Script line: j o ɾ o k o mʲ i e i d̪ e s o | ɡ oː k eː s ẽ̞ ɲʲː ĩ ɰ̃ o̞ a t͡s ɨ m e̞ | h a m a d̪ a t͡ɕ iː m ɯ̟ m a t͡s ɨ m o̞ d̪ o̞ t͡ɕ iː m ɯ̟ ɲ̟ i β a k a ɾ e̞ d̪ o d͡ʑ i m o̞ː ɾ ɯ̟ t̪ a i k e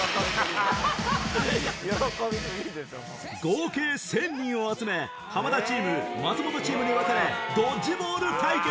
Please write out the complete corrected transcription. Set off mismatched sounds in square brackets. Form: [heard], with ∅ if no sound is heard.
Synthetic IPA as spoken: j o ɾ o k o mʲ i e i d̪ e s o | ɡ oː k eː s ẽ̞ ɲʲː ĩ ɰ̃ o̞ a t͡s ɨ m e̞ | h a m a d̪ a t͡ɕ iː m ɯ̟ m a t͡s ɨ m o̞ [t̪] o̞ t͡ɕ iː m ɯ̟ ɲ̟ i β a k a ɾ e̞ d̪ o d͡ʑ i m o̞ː ɾ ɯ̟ t̪ a i k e